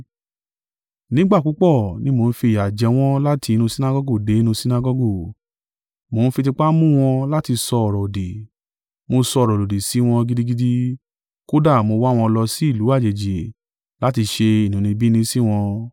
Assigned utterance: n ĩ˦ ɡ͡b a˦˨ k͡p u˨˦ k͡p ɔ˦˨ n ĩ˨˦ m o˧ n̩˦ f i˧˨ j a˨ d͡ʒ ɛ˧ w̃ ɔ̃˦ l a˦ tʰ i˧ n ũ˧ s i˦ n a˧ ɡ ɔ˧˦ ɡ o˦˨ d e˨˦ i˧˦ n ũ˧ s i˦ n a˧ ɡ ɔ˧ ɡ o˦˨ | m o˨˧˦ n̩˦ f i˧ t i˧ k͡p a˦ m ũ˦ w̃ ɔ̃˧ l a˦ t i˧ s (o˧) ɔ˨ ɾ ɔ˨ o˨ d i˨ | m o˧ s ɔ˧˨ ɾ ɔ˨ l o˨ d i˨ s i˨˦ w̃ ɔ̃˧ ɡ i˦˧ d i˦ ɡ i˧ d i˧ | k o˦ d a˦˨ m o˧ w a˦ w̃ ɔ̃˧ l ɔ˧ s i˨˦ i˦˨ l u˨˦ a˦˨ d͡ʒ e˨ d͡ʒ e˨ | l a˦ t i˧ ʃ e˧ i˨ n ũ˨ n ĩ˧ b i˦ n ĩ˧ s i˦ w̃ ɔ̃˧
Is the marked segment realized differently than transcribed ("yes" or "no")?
yes